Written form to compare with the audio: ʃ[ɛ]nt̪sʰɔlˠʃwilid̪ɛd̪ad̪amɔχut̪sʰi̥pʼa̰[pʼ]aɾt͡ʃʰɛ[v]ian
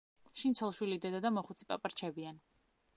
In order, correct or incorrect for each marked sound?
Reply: incorrect: i, correct, incorrect: b

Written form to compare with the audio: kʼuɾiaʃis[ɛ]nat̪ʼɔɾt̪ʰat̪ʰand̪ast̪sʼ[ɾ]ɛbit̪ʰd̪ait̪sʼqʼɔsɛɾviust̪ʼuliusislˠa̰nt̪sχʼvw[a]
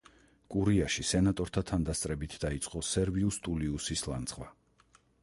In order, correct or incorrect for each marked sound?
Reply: correct, correct, correct

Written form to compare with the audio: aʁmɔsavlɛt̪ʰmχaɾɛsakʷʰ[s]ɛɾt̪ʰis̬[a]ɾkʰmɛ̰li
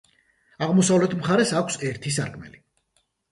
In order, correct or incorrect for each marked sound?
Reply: correct, correct

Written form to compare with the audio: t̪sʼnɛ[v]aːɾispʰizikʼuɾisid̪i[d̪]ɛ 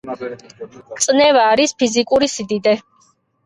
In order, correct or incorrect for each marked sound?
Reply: correct, correct

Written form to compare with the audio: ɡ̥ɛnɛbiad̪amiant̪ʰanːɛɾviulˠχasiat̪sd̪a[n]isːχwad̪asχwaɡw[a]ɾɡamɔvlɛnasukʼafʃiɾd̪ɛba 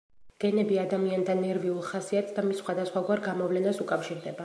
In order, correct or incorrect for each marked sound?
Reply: incorrect: m, correct

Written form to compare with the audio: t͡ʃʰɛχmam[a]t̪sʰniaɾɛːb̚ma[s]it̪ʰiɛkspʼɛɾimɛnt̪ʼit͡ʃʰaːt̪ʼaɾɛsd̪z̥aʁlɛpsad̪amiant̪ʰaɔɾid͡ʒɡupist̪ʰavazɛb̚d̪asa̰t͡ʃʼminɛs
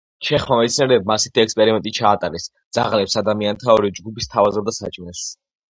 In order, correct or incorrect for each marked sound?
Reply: incorrect: ɛ, correct

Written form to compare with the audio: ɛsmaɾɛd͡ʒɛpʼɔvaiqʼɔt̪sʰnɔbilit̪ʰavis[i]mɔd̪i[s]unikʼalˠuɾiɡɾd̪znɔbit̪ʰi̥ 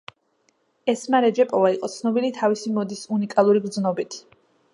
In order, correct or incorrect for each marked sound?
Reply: correct, correct

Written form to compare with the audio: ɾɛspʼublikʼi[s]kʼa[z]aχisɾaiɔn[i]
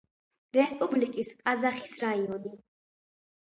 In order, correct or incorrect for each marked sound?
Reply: correct, correct, correct

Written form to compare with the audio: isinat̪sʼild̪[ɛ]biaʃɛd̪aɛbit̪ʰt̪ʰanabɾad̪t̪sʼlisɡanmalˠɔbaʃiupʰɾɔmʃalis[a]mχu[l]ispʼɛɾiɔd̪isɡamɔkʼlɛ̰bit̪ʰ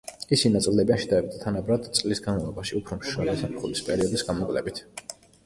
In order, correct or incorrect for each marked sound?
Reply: correct, correct, correct

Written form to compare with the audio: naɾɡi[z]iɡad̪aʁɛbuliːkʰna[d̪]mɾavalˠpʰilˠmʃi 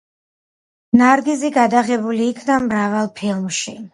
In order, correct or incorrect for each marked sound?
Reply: correct, incorrect: none

